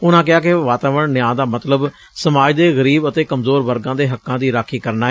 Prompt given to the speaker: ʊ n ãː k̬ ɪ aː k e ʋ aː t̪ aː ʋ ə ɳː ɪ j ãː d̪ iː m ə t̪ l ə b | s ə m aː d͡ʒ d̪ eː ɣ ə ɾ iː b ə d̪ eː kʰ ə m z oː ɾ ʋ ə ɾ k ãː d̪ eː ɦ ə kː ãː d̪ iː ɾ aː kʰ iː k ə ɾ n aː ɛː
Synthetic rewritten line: ʊ n ãː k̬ ɪ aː k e ʋ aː t̪ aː ʋ ə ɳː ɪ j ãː d̪ aː m ə t̪ l ə b | s ə m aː d͡ʒ d̪ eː ɣ ə ɾ iː b ə t̪ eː k ə m z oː ɾ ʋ ə ɾ ɡ ãː d̪ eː ɦ ə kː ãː d̪ iː ɾ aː kʰ iː k ə ɾ n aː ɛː